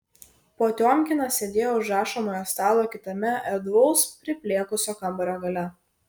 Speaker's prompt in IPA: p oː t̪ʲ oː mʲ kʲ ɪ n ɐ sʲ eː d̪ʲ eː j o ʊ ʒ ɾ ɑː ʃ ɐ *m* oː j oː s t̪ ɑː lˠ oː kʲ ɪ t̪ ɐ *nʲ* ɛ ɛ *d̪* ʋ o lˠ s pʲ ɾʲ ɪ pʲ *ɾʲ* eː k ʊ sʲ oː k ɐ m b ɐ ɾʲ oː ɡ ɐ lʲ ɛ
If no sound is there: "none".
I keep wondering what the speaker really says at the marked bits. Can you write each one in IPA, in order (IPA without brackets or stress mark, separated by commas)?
m, mʲ, d̪, lʲ